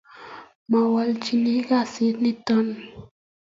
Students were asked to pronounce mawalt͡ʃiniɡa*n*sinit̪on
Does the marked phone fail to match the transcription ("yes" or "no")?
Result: yes